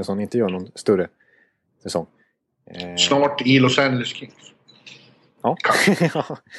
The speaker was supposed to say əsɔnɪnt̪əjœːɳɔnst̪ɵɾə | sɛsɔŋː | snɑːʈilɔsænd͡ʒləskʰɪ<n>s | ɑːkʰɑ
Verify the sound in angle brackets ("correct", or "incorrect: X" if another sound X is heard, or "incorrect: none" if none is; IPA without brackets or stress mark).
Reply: incorrect: ŋ